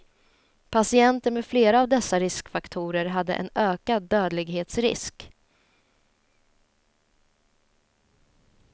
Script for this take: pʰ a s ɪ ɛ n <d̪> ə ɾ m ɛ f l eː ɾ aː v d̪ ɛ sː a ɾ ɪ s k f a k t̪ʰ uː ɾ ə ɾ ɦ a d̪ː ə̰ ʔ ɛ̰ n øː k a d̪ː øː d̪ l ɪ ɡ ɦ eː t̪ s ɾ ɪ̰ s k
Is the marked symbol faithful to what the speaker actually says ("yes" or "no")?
no